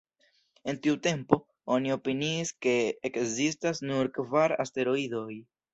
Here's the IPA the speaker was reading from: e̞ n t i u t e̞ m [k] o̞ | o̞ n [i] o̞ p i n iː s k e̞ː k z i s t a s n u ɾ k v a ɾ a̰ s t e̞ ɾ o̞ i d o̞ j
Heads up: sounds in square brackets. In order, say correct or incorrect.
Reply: incorrect, correct

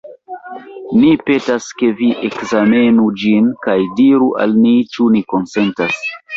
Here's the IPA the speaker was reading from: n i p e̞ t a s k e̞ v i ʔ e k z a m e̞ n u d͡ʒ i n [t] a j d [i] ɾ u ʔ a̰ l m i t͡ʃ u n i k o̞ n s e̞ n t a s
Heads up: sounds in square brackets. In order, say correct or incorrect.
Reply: incorrect, correct

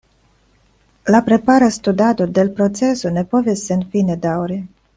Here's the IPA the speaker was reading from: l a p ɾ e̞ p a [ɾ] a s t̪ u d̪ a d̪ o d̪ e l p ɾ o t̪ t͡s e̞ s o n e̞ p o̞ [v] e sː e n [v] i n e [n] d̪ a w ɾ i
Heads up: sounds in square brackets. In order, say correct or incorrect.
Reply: correct, correct, incorrect, incorrect

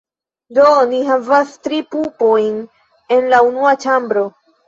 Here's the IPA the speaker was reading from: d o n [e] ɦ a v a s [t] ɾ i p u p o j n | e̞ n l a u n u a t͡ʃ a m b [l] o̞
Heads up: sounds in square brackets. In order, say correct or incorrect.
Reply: incorrect, correct, incorrect

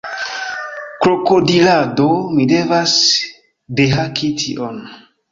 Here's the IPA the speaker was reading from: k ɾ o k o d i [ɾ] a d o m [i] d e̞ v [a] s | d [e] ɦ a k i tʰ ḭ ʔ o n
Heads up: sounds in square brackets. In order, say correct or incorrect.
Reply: incorrect, correct, correct, correct

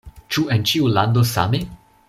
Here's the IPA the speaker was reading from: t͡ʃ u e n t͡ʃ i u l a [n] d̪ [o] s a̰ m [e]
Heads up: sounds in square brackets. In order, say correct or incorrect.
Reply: correct, correct, correct

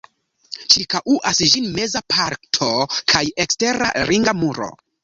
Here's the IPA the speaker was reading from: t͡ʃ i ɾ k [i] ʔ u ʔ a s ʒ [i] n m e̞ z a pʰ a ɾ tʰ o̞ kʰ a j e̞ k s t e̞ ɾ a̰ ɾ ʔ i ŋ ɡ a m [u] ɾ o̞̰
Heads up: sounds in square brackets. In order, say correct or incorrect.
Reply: incorrect, correct, correct

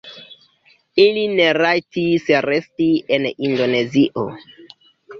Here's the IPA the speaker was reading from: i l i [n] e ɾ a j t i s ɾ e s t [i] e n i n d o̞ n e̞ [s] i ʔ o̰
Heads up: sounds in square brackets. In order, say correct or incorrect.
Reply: correct, correct, incorrect

